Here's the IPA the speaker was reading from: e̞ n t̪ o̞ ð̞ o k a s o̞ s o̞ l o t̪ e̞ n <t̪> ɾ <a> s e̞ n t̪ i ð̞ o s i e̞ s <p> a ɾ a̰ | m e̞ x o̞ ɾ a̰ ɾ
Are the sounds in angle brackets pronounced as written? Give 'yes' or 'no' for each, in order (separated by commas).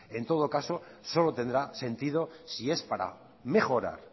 no, yes, yes